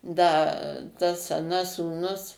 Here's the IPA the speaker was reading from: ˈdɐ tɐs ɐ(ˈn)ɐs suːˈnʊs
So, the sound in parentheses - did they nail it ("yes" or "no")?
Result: yes